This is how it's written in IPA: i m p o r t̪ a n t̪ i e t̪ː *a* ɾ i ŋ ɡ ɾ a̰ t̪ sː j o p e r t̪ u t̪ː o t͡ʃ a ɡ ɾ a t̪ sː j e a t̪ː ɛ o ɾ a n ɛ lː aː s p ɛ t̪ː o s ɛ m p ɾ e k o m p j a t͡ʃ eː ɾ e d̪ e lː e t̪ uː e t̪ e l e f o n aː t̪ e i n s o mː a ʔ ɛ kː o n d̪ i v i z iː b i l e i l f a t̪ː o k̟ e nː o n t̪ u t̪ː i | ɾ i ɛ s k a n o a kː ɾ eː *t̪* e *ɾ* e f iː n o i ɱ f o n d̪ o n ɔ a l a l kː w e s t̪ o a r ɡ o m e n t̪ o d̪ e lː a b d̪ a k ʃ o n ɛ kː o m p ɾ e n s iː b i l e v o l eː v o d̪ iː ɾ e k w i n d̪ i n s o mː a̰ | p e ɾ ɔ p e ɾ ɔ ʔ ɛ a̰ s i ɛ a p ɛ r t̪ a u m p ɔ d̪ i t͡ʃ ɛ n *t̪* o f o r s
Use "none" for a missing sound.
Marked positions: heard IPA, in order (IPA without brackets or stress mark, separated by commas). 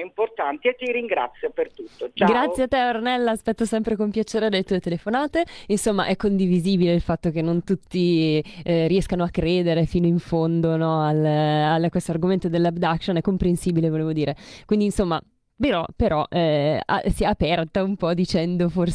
i, d̪, ɾ, d̪